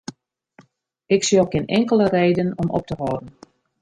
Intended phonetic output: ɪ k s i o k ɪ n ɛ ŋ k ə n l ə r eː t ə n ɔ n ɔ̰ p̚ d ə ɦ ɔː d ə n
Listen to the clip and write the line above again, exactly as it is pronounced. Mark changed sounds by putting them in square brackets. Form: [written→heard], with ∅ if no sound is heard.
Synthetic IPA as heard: ɪ k s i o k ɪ n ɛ ŋ k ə [n→∅] l ə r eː [t→d] ə n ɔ [n→m] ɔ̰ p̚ [d→t] ə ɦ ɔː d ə n